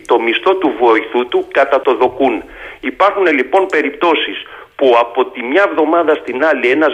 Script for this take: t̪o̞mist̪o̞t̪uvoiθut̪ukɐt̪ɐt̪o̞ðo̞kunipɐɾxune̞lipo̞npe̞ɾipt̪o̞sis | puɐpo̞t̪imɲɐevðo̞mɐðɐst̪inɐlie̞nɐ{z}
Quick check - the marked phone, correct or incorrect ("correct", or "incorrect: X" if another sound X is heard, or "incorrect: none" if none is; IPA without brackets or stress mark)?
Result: correct